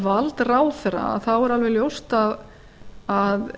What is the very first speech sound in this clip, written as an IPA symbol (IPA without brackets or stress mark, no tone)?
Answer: v